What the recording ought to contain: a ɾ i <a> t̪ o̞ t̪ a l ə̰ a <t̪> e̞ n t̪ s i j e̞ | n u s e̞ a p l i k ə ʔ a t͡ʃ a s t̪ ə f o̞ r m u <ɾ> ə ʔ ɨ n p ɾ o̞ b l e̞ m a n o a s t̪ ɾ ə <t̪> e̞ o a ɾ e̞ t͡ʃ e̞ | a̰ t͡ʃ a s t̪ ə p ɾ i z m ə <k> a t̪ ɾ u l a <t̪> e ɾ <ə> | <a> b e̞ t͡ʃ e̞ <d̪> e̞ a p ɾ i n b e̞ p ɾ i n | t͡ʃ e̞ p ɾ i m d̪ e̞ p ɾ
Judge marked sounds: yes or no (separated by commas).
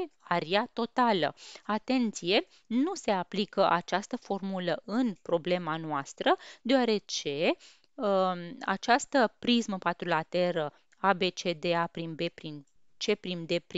yes, yes, no, no, no, yes, yes, yes, yes